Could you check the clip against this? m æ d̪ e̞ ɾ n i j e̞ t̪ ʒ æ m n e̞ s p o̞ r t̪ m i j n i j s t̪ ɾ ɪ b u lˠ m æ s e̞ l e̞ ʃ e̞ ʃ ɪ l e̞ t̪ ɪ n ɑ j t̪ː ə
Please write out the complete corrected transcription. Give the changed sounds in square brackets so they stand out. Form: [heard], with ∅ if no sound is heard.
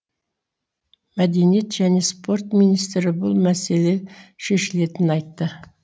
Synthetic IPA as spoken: m æ d̪ e̞ [∅] n i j e̞ t̪ ʒ æ [∅] n e̞ s p o̞ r t̪ m i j n i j s t̪ ɾ ɪ b [ʊ] lˠ m æ s e̞ l e̞ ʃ e̞ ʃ ɪ l e̞ t̪ ɪ n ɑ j t̪ː ə